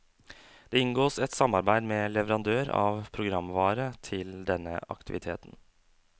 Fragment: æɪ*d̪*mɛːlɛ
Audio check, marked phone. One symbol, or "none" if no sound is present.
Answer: d̪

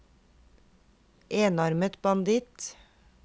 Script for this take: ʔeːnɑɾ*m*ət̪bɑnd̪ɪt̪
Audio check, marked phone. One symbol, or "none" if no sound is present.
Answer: m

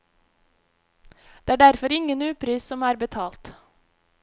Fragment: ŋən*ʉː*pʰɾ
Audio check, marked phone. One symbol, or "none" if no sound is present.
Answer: ʉː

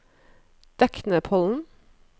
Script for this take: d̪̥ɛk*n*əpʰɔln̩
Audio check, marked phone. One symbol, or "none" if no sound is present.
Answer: n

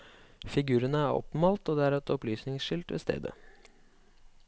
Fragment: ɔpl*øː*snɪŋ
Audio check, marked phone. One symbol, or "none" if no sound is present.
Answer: yː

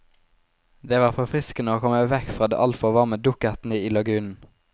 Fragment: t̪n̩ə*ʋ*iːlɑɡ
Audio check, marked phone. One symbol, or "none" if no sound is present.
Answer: none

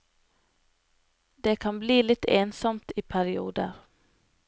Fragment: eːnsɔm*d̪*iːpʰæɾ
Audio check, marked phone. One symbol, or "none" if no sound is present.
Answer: t̪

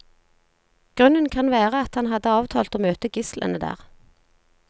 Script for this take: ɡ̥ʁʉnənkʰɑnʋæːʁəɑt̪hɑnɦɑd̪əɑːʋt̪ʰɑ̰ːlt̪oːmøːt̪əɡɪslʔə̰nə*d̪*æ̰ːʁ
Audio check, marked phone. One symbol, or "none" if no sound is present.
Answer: d̪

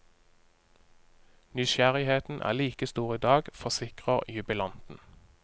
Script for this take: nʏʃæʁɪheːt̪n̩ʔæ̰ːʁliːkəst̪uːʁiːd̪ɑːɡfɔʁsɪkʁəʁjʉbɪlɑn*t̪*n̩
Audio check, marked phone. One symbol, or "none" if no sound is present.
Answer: t̪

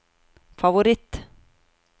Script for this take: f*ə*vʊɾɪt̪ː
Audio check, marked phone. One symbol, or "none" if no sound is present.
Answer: a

